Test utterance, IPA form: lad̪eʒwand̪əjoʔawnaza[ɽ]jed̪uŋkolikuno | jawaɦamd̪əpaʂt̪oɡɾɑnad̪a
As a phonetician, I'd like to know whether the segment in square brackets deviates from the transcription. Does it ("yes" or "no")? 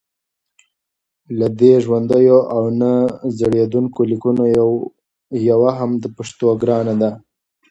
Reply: no